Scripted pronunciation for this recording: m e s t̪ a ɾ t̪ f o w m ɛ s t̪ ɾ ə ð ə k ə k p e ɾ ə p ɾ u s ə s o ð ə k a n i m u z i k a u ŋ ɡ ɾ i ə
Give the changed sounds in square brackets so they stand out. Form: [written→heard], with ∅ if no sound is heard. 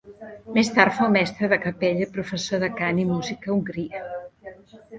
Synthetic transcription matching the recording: m e s t̪ a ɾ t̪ f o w m ɛ s t̪ ɾ ə ð ə k ə [k→∅] p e [ɾ→ʎ] ə p ɾ u [s→f] ə s o ð ə k a n i m u z i k [a→ə] u ŋ ɡ ɾ i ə